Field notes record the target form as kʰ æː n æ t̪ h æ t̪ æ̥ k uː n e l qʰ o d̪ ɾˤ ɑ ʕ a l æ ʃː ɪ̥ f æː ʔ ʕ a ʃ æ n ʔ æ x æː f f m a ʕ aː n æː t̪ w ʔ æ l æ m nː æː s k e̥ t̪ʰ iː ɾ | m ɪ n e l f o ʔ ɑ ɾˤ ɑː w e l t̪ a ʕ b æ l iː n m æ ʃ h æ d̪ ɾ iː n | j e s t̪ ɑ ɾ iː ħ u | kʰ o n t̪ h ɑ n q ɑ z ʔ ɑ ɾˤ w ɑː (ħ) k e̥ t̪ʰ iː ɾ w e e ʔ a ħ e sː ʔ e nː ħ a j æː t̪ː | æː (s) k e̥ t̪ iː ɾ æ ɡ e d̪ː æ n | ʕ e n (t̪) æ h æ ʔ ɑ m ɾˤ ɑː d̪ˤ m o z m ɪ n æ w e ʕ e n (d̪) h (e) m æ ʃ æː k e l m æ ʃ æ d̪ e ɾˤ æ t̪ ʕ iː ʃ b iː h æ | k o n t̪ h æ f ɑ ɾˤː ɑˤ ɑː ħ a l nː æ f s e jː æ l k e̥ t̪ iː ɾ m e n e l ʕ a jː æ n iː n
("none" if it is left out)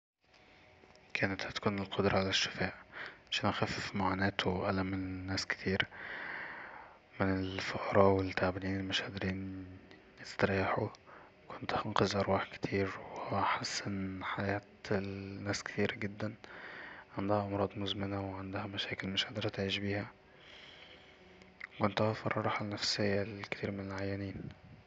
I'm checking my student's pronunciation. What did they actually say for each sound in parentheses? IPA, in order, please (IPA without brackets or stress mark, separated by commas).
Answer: ħ, s, d̪, d̪, æ